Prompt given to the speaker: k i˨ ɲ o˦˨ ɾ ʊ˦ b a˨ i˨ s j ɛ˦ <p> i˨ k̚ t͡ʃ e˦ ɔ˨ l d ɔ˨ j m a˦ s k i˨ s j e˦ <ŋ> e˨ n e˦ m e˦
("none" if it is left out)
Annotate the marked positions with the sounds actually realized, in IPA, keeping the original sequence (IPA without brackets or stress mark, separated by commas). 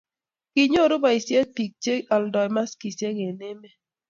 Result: p, ŋ